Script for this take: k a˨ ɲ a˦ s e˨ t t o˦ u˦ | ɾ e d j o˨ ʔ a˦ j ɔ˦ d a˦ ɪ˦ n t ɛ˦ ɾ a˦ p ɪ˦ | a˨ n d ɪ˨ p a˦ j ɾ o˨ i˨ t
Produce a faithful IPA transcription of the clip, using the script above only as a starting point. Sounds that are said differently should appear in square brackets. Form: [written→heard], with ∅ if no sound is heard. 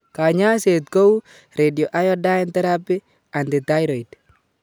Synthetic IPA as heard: k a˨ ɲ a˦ s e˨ t [t→k] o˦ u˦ | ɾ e d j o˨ ʔ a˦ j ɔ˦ d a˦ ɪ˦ n t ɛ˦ ɾ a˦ p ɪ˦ | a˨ n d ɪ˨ [p→t] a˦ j ɾ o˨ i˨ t